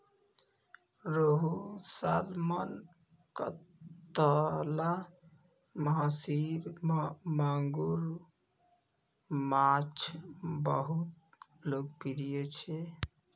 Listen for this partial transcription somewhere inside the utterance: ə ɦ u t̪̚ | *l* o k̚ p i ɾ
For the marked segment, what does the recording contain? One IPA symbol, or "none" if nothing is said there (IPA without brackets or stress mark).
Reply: l